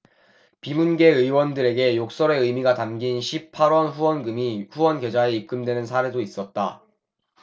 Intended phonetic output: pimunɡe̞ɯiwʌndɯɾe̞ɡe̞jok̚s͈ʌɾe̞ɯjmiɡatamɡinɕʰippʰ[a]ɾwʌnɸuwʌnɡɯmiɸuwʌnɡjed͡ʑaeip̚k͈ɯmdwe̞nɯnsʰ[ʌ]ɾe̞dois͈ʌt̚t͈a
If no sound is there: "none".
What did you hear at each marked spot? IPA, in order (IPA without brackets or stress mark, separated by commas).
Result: a, a